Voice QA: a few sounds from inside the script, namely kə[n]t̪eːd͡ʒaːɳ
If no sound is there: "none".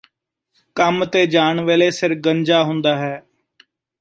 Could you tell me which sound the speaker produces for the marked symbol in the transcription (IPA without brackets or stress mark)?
m